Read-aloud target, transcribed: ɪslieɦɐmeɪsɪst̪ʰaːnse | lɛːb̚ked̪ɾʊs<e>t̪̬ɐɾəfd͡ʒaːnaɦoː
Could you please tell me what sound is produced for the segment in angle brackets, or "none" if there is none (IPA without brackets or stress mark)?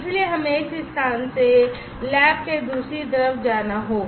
i